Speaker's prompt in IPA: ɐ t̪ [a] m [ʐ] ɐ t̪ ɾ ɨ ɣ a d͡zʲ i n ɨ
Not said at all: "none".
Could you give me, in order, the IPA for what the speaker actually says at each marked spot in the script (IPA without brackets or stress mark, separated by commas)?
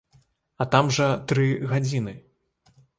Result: a, ʐ